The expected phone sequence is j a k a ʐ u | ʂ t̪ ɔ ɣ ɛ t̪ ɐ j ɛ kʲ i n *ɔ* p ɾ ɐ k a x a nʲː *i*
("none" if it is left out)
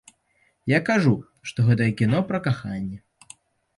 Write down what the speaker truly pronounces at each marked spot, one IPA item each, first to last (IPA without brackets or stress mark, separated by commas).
ɔ, ɛ